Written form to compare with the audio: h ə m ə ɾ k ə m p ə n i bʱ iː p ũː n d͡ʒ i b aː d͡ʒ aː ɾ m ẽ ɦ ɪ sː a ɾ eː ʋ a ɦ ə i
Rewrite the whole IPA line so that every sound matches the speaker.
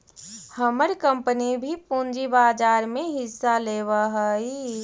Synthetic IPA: h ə m ə ɾ k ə m p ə n i bʱ i p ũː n d͡ʒ i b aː d͡ʒ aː ɾ m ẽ ɦ ɪ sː a l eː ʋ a ɦ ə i